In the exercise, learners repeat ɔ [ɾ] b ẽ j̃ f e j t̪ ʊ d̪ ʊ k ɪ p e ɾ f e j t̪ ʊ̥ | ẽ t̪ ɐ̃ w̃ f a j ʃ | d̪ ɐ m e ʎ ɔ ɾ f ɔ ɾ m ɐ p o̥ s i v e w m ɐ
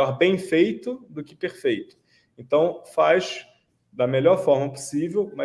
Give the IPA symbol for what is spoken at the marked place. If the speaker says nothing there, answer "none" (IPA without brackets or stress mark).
ɾ